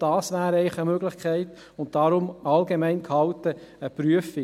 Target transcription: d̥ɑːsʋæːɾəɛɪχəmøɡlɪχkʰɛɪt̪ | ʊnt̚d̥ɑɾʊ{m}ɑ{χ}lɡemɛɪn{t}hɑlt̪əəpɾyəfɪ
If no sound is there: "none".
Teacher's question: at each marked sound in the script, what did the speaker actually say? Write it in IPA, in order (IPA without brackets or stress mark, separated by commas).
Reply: m, none, k